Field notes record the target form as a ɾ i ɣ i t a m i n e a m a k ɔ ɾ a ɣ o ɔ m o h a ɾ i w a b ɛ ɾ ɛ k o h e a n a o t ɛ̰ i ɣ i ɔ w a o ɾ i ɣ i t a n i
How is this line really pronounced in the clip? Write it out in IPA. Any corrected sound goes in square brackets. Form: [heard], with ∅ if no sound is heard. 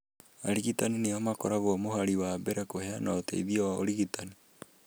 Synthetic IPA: a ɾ i ɣ i t a [n] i n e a m a k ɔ ɾ a ɣ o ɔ m o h a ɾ i w a b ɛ ɾ ɛ k o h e a n a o t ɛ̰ i [ð] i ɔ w a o ɾ i ɣ i t a n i